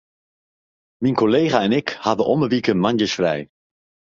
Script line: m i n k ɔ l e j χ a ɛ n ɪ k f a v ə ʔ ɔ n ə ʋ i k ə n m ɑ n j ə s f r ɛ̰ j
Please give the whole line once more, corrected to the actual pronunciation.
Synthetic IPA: m i n k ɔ l e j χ a ɛ n ɪ k h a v ə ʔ ɔ m ə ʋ i k ə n m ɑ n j ə s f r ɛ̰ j